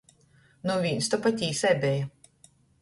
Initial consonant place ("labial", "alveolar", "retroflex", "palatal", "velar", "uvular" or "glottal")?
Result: alveolar